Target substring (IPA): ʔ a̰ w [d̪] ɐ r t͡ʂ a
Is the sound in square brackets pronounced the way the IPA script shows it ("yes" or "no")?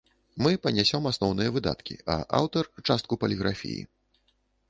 no